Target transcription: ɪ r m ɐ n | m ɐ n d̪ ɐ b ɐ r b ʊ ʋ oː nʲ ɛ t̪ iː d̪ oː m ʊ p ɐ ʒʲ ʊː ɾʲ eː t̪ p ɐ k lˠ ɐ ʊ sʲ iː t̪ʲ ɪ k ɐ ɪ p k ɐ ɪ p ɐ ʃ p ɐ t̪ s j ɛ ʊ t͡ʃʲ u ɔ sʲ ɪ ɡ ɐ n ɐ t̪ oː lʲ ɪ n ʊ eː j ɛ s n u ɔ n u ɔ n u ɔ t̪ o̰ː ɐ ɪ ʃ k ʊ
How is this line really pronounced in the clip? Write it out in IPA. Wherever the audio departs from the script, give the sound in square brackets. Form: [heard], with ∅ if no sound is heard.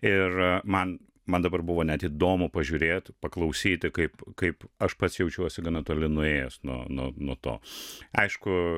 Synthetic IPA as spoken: ɪ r m ɐ n | m ɐ n d̪ ɐ b ɐ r b ʊ ʋ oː nʲ ɛ t̪ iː d̪ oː m ʊ p ɐ ʒʲ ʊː ɾʲ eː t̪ p ɐ k lˠ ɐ ʊ sʲ iː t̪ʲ ɪ k ɐ ɪ p k ɐ ɪ p ɐ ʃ p ɐ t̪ s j ɛ ʊ t͡ʃʲ u ɔ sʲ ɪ ɡ ɐ n ɐ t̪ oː lʲ ɪ n ʊ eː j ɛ s n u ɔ n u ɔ n u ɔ t̪ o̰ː ɐ ɪ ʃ k ʊ